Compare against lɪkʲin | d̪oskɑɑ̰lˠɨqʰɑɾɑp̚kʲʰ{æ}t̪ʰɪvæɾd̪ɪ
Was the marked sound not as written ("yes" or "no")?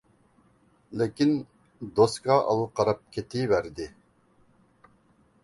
yes